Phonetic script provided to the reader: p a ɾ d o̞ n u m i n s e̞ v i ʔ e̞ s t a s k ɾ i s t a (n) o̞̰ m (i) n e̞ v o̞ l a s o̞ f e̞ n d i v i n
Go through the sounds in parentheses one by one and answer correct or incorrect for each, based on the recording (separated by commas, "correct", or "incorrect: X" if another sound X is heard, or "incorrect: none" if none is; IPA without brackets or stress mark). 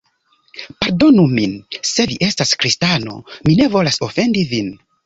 correct, correct